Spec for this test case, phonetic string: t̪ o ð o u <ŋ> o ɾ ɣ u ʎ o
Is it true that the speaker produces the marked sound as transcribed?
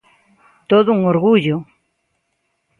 yes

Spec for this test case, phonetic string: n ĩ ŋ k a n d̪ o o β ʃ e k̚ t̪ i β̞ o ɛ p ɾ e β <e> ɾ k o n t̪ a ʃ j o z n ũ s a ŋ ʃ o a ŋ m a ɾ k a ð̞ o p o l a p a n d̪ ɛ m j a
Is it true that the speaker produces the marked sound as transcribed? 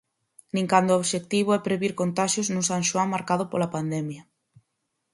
no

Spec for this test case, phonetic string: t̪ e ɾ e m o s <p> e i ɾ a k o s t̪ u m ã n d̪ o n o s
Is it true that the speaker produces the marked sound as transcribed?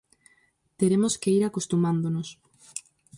no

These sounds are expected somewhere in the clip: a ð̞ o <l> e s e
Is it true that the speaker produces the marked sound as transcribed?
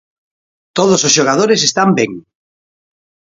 no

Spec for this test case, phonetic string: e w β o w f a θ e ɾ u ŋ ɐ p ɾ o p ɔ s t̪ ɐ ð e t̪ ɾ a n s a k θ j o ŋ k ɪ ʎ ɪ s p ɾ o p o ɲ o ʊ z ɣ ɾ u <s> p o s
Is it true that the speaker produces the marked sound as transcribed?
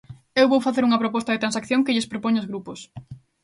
no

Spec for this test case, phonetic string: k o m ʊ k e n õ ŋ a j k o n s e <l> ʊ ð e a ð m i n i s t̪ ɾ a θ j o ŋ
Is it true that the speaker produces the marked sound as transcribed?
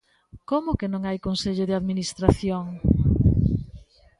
no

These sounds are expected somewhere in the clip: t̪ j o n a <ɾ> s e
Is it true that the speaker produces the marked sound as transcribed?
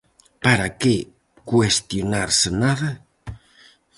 yes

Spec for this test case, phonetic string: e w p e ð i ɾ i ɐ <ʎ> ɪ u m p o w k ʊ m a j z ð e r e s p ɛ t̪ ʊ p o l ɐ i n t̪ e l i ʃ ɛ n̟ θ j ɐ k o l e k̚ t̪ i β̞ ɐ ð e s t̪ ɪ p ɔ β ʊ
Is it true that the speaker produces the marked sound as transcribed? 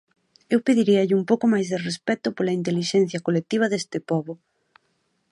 yes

